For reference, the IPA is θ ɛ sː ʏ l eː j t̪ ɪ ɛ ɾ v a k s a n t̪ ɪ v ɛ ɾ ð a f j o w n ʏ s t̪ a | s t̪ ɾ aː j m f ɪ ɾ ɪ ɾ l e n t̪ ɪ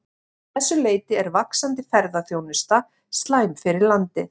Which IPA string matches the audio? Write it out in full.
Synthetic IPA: θ ɛ sː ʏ l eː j t̪ ɪ ɛ ɾ v a k s a n t̪ ɪ f ɛ ɾ ð a θ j o w n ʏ s t̪ a | s t̪ l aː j m f ɪ ɾ ɪ ɾ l a n t̪ ɪ

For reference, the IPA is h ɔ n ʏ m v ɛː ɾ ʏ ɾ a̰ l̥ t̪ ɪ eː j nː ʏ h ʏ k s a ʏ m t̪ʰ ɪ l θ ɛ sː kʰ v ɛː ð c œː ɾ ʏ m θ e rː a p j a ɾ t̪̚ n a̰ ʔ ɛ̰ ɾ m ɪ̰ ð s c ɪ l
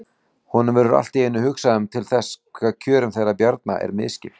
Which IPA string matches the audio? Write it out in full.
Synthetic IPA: h ɔ n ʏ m v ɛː ɾ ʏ ɾ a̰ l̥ t̪ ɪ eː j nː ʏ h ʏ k s a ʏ m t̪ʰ ɪ l θ ɛ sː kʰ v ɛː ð cʰ œː ɾ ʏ m θ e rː a p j a ɾ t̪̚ n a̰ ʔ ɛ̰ ɾ m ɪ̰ ð s c ɪ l

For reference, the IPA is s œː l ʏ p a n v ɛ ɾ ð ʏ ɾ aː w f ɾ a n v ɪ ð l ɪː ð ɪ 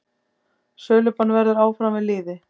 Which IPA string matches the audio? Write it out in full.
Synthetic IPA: s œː l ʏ p a n v ɛ ɾ ð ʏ ɾ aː w f ɾ a m v ɪ ð l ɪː ð ɪ

